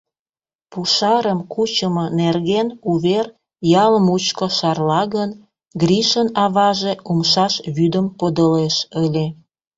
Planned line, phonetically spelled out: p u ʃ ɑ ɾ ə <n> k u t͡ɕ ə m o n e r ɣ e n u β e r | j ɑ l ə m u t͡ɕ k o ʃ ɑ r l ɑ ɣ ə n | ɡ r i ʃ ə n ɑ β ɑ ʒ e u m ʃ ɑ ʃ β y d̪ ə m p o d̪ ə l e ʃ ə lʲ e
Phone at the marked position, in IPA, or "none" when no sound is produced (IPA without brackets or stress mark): m